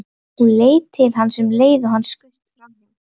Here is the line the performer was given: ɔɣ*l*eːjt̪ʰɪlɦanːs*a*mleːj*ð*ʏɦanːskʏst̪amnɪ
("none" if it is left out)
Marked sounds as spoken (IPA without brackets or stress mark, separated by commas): l, ɛ, ð